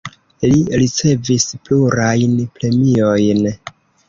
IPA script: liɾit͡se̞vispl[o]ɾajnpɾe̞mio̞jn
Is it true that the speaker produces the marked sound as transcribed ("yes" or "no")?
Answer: no